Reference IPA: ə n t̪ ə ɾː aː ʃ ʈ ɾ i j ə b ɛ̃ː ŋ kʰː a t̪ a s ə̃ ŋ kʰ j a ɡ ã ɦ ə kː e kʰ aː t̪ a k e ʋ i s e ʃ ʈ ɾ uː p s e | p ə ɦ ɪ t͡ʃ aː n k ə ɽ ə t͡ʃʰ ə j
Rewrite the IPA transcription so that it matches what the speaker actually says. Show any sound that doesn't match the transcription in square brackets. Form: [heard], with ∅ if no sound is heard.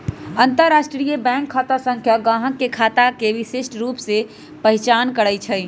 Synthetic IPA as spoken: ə n t̪ ə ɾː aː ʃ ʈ ɾ i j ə b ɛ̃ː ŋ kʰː a t̪ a s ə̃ ŋ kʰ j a ɡ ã ɦ ə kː e kʰ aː t̪ a k e ʋ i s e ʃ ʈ ɾ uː p s e | p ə ɦ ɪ t͡ʃ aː n k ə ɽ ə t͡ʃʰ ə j